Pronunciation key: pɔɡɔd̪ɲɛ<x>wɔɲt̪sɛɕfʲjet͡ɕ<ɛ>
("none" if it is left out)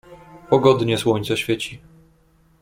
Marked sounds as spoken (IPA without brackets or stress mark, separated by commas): s, i